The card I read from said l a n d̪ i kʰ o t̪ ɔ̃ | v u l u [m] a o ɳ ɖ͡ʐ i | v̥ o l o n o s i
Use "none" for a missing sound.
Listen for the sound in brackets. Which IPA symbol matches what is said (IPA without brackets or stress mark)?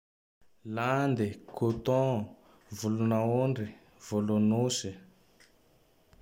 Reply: n